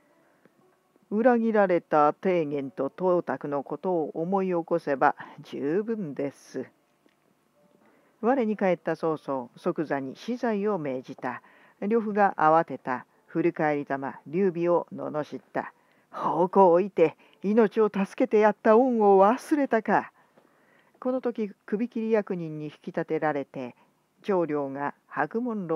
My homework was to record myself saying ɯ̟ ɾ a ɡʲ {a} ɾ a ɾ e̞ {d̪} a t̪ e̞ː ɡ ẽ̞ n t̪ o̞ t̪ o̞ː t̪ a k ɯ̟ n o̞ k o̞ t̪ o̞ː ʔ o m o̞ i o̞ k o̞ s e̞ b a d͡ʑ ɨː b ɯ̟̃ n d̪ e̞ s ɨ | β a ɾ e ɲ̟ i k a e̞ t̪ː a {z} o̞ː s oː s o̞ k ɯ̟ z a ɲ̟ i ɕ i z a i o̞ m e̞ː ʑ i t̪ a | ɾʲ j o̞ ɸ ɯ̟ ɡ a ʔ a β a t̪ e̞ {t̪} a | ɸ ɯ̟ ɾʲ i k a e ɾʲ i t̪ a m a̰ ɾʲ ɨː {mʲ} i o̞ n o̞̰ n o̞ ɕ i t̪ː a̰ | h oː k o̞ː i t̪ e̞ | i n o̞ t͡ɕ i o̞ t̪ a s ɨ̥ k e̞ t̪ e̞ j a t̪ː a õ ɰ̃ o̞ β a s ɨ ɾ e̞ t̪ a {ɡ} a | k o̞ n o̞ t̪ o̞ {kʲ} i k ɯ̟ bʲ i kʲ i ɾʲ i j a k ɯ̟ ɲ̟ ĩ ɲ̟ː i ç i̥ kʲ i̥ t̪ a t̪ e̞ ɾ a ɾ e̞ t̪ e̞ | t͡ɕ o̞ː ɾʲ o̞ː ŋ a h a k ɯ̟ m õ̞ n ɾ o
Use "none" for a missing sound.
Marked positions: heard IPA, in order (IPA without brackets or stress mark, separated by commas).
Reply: i, t̪, s, t̪, bʲ, k, kʲ